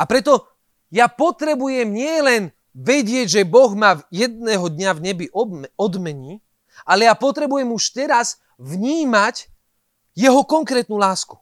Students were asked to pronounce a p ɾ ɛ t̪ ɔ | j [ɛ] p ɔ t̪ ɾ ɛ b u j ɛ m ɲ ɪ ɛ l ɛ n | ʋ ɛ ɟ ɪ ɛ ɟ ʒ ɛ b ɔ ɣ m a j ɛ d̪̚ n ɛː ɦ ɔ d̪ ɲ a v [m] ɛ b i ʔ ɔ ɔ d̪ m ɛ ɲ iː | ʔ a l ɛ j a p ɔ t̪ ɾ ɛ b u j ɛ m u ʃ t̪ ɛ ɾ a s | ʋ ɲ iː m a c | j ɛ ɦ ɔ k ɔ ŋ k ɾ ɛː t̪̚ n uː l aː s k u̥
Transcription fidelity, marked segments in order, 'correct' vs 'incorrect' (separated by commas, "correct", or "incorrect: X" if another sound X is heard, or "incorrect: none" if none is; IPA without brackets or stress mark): incorrect: a, incorrect: ɲ